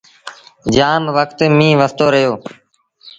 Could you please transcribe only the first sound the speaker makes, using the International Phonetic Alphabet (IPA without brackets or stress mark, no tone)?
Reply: d͡ʒ